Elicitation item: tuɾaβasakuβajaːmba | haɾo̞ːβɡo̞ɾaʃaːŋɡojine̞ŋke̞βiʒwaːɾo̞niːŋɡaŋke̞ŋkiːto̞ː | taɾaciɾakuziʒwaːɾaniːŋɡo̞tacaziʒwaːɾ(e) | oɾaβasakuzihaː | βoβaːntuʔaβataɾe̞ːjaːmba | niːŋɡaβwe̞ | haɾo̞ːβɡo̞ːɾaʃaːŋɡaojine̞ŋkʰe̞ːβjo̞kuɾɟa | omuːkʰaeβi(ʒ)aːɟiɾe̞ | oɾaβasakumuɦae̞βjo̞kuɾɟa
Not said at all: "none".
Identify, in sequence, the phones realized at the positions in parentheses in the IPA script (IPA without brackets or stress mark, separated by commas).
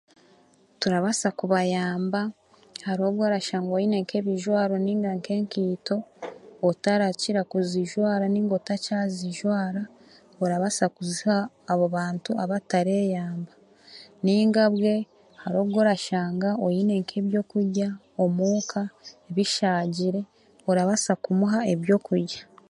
a, ʃ